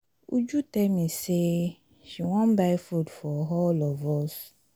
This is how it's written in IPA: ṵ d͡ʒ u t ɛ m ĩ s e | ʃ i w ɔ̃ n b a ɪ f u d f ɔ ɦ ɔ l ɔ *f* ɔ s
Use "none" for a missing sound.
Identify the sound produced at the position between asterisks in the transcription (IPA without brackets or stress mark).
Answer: v